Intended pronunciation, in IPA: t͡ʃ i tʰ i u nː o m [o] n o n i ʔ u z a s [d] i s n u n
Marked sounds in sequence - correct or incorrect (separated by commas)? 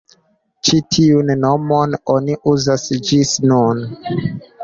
correct, incorrect